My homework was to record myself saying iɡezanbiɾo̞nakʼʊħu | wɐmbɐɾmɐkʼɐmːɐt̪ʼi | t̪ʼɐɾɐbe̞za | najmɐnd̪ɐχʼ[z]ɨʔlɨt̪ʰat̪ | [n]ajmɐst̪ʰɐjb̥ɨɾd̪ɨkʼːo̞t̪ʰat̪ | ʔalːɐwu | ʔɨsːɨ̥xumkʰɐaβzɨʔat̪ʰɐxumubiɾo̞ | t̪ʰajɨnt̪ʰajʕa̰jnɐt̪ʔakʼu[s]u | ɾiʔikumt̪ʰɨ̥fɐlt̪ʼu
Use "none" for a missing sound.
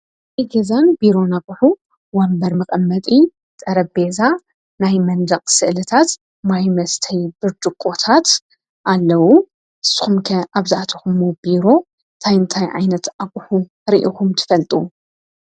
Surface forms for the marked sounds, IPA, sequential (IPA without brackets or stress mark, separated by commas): s, m, ħ